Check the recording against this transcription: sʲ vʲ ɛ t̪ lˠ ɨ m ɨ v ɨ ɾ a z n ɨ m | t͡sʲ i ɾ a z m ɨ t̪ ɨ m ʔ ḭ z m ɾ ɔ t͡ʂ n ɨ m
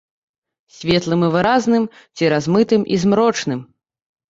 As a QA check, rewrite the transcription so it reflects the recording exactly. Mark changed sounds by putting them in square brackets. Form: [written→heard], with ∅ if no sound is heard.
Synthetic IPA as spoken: sʲ vʲ ɛ t̪ lˠ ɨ m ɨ v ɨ ɾ a z n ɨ m | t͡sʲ i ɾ a z m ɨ t̪ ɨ m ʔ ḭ z m ɾ ɔ t͡ʂ n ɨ m